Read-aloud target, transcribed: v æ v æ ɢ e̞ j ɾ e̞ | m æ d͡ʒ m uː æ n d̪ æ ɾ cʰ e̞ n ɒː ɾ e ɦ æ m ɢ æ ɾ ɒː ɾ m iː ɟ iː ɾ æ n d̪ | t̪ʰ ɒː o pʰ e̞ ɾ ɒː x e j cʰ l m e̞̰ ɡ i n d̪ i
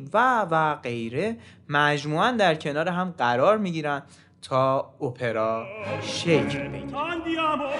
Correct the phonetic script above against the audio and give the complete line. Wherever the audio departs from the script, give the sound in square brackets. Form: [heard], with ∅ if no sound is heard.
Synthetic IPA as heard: v æ v æ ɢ e̞ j ɾ e̞ | m æ d͡ʒ m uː æ n d̪ æ ɾ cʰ e̞ n ɒː ɾ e ɦ æ m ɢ æ ɾ ɒː ɾ m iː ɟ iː ɾ æ n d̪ | t̪ʰ ɒː o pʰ e̞ ɾ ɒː [ʃ] e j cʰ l [b] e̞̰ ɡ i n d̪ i